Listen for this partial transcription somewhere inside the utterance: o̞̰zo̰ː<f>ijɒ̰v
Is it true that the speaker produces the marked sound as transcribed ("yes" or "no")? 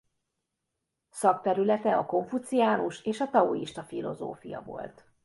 yes